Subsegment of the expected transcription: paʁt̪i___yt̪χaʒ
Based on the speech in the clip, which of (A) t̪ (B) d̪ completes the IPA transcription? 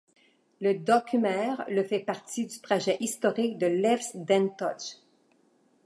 B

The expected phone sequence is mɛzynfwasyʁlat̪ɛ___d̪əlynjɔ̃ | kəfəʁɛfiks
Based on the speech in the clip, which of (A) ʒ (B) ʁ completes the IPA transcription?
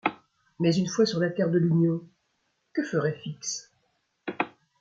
B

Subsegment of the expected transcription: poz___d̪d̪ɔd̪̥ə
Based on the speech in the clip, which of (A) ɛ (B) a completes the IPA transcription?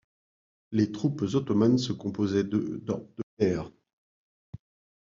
A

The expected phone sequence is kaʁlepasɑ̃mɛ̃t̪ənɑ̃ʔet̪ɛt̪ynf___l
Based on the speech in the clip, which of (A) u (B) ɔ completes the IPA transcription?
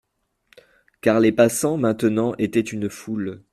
A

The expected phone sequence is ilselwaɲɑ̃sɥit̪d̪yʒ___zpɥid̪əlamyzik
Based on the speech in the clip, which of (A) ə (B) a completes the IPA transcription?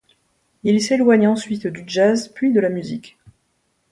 B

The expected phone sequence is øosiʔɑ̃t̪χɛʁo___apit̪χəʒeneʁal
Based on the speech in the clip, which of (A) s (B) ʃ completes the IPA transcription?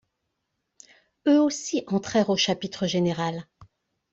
B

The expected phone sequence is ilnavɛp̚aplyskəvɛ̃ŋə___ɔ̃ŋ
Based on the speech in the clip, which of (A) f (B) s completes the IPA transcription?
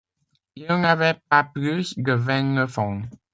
A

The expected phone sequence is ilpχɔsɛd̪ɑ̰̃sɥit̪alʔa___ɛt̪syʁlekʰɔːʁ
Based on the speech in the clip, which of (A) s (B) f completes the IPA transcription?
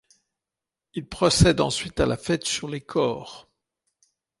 B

